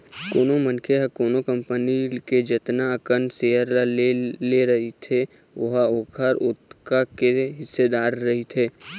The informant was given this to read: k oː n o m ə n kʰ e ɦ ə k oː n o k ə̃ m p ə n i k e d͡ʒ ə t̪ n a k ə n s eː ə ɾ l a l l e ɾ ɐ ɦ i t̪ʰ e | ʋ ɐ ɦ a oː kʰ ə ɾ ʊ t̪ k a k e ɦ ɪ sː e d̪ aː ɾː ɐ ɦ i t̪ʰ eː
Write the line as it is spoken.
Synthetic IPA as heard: k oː n o m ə n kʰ e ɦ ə k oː n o k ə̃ m p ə n i k e d͡ʒ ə t̪ n a k ə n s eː ə ɾ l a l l e ɾ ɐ ɦ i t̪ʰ e | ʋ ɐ ɦ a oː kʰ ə ɾ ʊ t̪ k a k e ɦ ɪ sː e d̪ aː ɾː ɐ ɦ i t̪ʰ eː